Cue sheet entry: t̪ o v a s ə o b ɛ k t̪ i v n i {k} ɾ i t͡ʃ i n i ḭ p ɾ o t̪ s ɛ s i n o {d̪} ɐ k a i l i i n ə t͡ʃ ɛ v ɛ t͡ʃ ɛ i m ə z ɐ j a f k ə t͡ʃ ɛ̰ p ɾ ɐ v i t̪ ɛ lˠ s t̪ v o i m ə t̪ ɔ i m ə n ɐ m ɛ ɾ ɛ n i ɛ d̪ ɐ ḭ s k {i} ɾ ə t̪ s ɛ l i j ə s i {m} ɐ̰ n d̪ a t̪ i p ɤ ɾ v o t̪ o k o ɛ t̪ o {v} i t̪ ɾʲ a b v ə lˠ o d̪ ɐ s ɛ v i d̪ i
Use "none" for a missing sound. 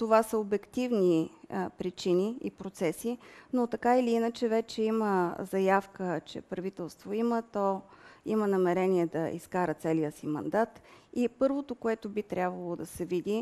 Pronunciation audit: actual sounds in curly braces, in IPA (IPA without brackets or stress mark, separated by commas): p, t̪, a, m, b